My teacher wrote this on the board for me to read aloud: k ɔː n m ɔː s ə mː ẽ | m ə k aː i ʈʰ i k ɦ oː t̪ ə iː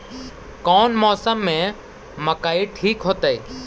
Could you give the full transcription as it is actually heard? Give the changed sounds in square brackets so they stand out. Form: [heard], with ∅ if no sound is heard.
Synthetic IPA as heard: k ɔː n m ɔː s ə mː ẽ | m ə k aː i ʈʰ [iː] k ɦ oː t̪ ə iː